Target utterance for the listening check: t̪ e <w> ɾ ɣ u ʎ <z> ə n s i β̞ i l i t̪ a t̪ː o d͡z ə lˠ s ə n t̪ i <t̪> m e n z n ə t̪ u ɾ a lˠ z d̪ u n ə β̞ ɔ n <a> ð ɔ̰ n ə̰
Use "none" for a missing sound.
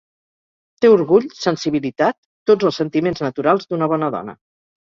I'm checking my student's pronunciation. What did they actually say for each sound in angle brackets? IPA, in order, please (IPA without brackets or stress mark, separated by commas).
u, s, none, ə